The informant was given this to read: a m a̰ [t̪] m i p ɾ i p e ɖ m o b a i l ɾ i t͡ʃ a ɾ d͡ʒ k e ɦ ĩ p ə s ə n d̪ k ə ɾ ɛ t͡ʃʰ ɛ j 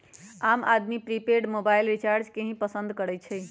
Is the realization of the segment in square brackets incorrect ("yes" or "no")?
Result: yes